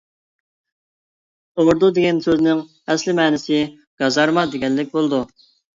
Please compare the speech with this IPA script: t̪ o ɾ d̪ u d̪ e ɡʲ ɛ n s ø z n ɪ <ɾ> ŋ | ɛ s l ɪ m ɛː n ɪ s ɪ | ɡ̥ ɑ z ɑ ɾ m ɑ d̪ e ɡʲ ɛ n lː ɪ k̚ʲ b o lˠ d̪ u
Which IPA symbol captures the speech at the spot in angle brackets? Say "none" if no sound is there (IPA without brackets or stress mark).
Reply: none